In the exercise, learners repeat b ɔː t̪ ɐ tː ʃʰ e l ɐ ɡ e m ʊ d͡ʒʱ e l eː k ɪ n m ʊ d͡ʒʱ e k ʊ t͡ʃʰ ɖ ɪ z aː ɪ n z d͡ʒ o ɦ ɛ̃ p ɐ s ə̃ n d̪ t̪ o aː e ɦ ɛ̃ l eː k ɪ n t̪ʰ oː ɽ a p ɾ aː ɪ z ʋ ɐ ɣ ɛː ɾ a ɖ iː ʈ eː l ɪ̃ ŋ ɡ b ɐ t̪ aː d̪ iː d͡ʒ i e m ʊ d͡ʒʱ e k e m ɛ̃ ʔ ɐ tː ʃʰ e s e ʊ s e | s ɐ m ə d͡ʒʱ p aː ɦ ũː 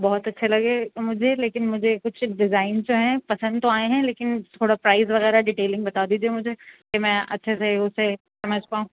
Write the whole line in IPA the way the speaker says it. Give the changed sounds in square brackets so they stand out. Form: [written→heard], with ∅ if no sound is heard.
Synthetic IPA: b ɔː t̪ ɐ tː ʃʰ e l ɐ ɡ e m ʊ d͡ʒʱ e l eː k ɪ n m ʊ d͡ʒʱ e k ʊ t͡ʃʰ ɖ ɪ z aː ɪ n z d͡ʒ o ɦ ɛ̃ p ɐ s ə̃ n d̪ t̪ o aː e ɦ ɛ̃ l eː k ɪ n t̪ʰ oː ɽ a p ɾ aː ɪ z ʋ ɐ ɣ ɛː ɾ a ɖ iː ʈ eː l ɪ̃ ŋ ɡ b ɐ t̪ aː d̪ iː d͡ʒ i e m ʊ d͡ʒʱ e k e m ɛ̃ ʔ ɐ tː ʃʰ e s e ʊ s e | s ɐ m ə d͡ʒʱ p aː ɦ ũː